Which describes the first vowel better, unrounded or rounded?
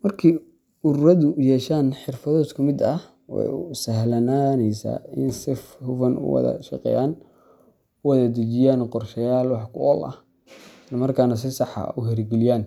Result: unrounded